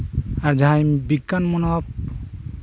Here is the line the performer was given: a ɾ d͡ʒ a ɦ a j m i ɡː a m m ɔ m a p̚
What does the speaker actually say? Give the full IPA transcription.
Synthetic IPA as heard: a ɾ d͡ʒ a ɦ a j b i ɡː a n m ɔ n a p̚